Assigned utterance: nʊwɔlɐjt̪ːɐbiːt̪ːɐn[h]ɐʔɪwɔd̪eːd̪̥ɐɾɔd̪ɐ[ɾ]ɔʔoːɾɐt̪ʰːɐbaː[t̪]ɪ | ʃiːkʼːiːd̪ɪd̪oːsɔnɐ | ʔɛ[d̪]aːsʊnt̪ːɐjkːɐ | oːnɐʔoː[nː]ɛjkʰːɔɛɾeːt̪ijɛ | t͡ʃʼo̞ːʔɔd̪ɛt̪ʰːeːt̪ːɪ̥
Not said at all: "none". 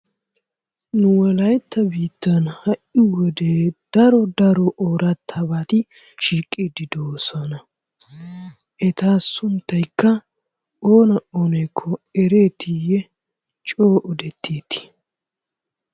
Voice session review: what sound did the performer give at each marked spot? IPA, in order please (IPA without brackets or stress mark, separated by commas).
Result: h, ɾ, t̪, t̪, n